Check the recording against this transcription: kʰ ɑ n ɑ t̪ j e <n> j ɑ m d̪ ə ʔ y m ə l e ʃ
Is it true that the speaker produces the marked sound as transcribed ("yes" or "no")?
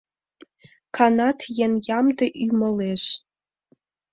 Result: yes